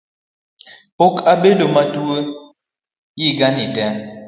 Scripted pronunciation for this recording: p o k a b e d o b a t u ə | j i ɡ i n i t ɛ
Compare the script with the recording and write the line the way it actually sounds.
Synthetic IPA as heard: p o k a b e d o m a t u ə | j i ɡ a n i t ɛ